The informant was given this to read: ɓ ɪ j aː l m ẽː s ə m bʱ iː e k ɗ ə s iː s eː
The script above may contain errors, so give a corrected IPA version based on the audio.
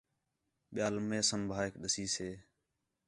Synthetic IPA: ɓ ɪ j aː l m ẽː s ə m bʱ aː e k ɗ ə s iː s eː